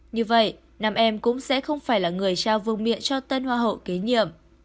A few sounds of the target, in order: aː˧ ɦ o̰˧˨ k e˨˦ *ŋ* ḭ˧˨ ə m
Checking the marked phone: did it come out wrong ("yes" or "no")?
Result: yes